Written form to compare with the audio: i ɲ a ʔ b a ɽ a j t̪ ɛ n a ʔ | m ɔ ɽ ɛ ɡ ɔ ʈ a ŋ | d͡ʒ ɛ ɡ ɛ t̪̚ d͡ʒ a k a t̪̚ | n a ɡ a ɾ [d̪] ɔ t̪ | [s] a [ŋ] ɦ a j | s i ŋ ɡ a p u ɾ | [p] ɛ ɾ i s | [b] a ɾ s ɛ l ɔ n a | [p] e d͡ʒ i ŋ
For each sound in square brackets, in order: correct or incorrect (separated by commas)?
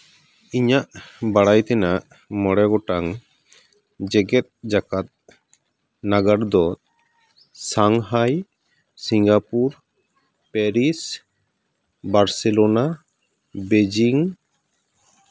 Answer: correct, correct, correct, correct, correct, incorrect